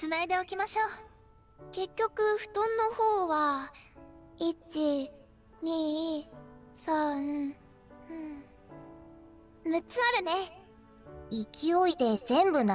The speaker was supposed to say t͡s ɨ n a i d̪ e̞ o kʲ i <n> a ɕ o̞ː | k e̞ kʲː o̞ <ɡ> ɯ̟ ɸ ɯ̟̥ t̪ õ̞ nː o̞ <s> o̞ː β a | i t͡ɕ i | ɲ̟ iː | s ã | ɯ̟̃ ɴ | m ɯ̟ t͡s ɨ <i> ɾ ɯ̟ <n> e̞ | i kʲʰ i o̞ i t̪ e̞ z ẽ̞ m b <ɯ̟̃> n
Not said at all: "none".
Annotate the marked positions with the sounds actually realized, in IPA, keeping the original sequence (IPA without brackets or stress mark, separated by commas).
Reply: m, k, h, a, n, ɯ̟